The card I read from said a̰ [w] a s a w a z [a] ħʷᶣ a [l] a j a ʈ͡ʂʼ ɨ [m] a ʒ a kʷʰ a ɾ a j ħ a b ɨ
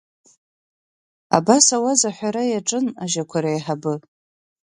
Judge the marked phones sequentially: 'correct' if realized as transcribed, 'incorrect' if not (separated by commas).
incorrect, correct, incorrect, incorrect